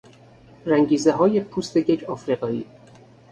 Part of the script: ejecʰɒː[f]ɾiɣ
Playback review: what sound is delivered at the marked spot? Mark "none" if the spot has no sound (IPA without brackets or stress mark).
f